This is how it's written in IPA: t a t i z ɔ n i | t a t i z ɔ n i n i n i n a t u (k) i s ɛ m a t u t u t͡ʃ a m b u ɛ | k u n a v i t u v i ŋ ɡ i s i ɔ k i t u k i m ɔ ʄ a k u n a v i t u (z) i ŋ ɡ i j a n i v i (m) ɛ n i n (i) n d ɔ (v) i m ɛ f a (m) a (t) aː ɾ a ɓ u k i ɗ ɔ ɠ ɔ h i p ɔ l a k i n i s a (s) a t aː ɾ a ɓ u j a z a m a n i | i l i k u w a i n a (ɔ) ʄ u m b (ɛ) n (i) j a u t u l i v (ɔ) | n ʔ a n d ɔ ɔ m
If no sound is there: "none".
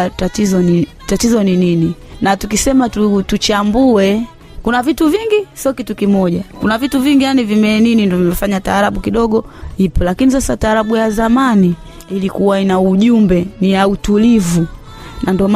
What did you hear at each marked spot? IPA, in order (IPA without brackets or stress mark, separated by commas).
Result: k, v, m, i, v, ɲ, t, s, u, ɛ, i, u